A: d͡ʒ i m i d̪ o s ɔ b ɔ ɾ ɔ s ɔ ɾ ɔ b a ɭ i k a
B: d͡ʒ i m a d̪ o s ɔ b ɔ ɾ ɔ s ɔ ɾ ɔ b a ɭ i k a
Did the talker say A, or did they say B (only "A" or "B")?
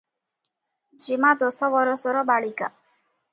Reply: B